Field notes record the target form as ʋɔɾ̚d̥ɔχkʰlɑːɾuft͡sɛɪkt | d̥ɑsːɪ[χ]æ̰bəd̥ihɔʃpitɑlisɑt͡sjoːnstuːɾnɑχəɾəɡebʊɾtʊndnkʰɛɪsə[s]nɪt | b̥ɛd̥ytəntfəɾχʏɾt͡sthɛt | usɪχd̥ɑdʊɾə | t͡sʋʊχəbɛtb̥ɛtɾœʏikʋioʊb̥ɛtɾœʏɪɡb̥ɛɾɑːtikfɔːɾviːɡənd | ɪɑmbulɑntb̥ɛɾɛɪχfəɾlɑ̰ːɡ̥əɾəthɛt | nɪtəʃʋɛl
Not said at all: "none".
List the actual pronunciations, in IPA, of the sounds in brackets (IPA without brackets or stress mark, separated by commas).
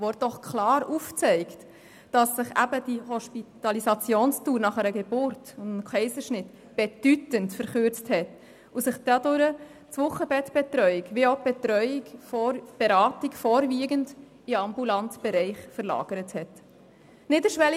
χ, ʃ